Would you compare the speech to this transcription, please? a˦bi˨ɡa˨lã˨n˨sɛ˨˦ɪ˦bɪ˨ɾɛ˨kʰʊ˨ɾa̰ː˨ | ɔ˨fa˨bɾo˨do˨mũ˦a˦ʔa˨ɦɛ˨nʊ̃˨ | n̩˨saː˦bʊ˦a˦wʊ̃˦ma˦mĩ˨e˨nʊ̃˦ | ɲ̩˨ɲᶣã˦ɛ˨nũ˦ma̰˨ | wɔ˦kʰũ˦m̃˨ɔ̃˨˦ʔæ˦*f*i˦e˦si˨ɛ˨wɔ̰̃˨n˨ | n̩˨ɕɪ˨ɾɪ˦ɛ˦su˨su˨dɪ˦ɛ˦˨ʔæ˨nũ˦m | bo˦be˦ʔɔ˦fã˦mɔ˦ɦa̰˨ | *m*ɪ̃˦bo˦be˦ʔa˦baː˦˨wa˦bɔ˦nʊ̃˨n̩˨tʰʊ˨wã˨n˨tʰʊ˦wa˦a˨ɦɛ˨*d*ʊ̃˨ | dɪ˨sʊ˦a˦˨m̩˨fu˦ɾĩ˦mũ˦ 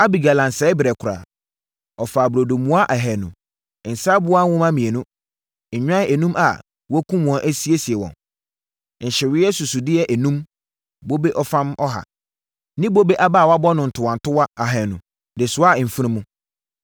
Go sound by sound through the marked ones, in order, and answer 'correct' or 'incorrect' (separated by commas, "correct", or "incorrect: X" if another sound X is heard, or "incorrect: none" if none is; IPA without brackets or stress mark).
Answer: incorrect: s, incorrect: n, incorrect: n